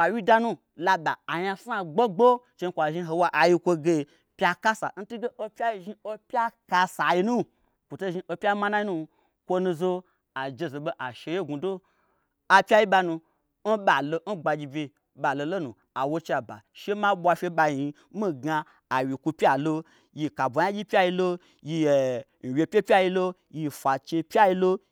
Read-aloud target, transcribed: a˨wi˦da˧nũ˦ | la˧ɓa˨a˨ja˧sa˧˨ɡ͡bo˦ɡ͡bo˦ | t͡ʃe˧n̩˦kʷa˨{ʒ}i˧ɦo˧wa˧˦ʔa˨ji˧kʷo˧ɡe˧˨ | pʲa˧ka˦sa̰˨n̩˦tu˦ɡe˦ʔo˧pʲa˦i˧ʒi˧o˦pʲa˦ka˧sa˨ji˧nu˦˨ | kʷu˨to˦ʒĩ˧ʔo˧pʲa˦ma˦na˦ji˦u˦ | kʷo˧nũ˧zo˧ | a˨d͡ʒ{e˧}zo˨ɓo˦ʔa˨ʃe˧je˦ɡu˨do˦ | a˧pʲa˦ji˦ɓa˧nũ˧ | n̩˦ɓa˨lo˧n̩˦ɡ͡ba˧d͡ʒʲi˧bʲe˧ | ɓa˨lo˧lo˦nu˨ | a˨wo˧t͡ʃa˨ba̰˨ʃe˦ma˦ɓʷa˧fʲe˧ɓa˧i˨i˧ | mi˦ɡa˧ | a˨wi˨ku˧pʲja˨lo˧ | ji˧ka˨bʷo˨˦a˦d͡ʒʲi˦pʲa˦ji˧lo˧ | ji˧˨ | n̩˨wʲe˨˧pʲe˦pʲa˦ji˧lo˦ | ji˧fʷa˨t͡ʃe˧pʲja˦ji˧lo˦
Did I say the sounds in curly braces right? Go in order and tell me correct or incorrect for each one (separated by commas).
correct, correct